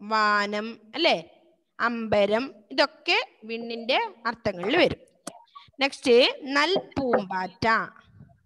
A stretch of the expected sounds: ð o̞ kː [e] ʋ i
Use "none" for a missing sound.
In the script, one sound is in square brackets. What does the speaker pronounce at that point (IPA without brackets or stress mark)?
e